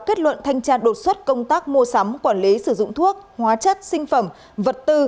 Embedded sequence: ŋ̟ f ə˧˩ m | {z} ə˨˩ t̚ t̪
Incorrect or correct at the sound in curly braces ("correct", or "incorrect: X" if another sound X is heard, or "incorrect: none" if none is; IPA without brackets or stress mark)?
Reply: incorrect: v